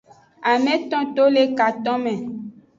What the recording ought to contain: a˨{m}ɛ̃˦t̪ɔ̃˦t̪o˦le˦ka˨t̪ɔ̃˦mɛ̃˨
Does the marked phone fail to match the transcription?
no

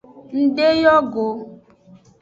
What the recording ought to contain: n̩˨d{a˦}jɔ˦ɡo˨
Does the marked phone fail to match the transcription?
yes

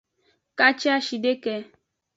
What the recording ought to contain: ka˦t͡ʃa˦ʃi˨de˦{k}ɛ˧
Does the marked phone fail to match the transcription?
no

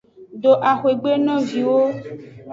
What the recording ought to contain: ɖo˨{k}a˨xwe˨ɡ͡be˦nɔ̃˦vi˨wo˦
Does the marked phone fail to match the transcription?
yes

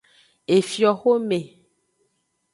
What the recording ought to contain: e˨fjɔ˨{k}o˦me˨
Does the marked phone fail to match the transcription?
yes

